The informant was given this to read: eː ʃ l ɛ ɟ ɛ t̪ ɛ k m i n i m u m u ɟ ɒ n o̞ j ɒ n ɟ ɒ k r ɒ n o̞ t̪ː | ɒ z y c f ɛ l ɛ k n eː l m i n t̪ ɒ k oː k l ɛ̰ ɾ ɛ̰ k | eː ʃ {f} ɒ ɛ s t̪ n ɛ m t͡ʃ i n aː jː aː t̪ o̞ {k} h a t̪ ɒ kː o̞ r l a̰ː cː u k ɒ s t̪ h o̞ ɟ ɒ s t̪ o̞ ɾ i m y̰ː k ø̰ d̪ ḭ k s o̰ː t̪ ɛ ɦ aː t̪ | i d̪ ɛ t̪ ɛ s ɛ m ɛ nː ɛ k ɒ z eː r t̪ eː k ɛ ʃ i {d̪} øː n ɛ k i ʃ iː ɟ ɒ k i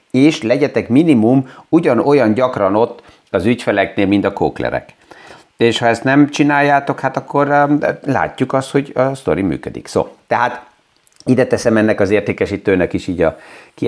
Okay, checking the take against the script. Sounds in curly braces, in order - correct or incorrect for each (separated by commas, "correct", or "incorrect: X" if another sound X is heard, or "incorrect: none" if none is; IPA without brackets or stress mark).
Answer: incorrect: h, correct, incorrect: t̪